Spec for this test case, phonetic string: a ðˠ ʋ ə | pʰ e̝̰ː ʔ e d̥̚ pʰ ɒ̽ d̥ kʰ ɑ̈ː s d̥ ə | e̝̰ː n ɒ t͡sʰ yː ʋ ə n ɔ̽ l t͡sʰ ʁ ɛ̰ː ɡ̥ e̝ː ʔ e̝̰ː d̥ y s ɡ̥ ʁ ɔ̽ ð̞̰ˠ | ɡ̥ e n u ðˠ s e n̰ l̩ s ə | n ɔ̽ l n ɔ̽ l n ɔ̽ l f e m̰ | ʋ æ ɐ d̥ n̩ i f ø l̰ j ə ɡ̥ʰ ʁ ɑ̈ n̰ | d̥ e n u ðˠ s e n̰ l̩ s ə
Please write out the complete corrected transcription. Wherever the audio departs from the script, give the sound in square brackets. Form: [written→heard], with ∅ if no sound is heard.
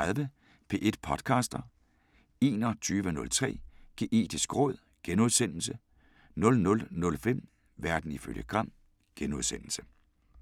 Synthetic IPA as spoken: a ðˠ ʋ ə | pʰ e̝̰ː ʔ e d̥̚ pʰ ɒ̽ d̥ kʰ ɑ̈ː s d̥ [ə→ɐ] | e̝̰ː n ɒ t͡sʰ yː ʋ ə n ɔ̽ l t͡sʰ ʁ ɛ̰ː ɡ̥ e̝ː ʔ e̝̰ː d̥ [y→i] s ɡ̥ ʁ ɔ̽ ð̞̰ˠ | ɡ̥ e n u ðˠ s e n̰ l̩ s ə | n ɔ̽ l n ɔ̽ l n ɔ̽ l f e m̰ | ʋ æ ɐ d̥ n̩ i f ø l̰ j ə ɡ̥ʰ ʁ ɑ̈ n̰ | [d̥→ɡ̥] e n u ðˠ s e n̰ l̩ s ə